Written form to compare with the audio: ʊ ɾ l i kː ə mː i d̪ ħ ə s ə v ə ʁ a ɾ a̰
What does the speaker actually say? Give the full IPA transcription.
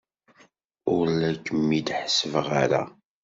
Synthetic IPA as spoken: ʊ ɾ l æ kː ə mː i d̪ ħ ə s ə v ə ʁ a ɾ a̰